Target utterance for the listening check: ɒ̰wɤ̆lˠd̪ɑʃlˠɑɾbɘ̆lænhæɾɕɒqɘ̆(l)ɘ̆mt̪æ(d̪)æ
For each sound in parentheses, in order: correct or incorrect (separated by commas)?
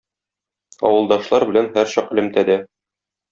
correct, correct